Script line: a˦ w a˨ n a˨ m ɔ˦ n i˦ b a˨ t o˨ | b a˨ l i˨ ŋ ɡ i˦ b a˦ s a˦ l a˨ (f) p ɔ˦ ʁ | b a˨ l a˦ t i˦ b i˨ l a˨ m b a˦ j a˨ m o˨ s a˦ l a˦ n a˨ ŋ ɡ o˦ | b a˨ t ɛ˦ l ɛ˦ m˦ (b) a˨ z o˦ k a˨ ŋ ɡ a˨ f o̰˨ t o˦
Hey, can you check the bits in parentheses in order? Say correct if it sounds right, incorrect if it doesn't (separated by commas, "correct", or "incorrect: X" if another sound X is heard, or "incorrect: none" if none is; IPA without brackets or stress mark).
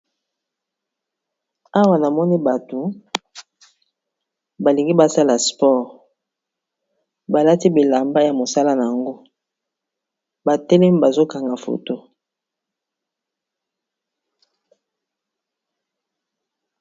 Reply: incorrect: s, correct